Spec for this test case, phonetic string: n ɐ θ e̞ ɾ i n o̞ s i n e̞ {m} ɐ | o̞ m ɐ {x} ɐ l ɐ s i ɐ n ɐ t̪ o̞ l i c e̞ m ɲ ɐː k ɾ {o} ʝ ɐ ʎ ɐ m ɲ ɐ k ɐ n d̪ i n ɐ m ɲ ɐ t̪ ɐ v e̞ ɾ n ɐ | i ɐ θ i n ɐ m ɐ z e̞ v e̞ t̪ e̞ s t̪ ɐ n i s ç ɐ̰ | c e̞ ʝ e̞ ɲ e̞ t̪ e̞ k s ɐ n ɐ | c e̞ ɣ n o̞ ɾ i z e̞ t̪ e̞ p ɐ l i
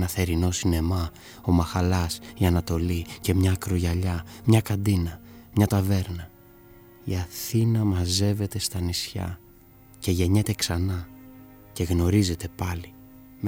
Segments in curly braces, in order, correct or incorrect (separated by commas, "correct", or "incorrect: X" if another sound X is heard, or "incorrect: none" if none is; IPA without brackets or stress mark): correct, correct, correct